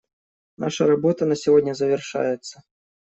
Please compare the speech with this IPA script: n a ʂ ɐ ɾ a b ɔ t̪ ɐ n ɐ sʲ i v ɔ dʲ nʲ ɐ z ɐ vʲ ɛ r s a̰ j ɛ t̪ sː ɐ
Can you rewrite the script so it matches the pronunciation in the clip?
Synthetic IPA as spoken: n a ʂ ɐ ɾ a b ɔ t̪ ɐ n ɐ sʲ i v ɔ dʲ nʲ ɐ z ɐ vʲ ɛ r ʂ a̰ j ɛ t̪ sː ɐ